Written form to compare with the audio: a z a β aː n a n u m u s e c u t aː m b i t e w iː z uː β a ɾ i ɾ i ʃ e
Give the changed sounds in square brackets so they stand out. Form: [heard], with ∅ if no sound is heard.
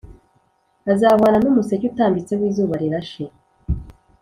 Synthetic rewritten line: a z a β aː n a n u m u s e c u t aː m b i [t͡s] e w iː z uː β a ɾ i ɾ [a] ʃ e